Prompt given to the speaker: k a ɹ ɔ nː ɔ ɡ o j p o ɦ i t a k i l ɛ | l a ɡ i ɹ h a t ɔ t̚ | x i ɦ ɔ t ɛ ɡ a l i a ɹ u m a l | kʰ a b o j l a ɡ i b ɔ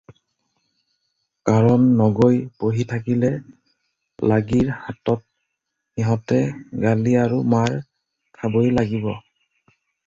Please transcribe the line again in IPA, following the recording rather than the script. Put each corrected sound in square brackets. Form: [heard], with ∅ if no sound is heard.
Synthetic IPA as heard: k a ɹ ɔ nː ɔ ɡ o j p o ɦ i [tʰ] a k i l ɛ | l a ɡ i ɹ h a t ɔ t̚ | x i ɦ ɔ t ɛ ɡ a l i a ɹ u m a [ɹ] | kʰ a b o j l a ɡ i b ɔ